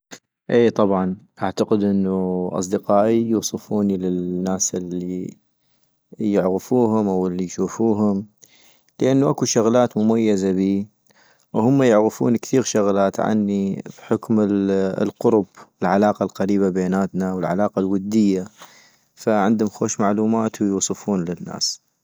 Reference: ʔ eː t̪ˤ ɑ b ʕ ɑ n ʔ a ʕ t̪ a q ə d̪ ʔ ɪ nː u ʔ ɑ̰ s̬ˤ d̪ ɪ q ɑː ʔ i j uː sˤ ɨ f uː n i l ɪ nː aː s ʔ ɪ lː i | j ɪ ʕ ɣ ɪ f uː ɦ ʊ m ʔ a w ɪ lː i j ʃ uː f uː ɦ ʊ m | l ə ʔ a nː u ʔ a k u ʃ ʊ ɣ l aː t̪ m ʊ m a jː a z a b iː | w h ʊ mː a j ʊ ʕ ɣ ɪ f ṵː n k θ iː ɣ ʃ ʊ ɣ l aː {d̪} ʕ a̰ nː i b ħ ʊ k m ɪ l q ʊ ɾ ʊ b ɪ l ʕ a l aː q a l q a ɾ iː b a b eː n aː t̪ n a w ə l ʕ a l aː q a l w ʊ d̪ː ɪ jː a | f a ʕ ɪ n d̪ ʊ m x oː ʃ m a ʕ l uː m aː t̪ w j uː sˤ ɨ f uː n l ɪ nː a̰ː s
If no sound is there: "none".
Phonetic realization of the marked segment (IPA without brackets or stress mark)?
t̪